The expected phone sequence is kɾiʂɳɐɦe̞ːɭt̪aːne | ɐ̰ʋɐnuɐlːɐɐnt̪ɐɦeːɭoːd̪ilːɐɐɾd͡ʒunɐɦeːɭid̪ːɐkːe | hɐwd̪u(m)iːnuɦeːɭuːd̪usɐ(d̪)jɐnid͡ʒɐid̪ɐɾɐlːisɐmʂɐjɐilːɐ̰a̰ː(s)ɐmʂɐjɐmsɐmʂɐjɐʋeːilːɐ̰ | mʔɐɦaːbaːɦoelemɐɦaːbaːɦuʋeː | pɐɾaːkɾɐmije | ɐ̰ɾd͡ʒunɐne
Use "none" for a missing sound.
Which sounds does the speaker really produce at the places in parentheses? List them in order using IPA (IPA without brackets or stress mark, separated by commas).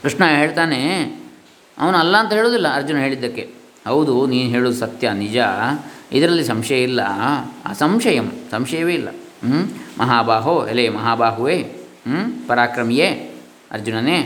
n, t̪, s